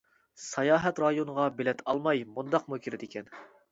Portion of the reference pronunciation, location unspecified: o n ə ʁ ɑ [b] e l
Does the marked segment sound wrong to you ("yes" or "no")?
no